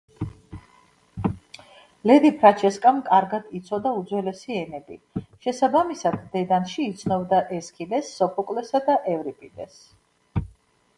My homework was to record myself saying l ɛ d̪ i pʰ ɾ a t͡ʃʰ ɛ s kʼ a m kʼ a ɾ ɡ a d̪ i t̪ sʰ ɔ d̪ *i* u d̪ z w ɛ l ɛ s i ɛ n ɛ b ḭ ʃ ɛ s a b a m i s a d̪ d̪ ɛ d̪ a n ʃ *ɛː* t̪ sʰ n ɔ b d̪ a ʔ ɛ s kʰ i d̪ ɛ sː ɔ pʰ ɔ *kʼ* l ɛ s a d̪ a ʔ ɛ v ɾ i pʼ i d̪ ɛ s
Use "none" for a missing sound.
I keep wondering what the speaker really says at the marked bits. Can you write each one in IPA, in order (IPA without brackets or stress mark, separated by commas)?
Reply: a, iː, kʼ